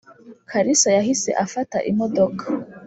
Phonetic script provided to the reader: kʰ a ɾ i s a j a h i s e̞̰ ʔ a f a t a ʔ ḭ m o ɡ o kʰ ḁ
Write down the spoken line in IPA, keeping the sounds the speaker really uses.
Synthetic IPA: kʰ a ɾ i s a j a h i s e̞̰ ʔ a f a t a ʔ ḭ m o d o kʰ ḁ